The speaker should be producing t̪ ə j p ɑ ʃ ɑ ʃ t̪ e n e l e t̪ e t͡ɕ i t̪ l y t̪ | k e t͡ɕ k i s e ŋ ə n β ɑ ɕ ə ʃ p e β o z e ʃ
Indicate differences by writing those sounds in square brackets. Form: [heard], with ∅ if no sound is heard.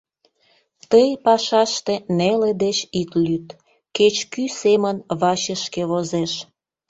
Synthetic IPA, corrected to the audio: t̪ ə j p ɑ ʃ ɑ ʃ t̪ e n e l e [d̪] e t͡ɕ i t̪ l y t̪ | k e t͡ɕ k [y] s e [m] ə n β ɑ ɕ ə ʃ [k] e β o z e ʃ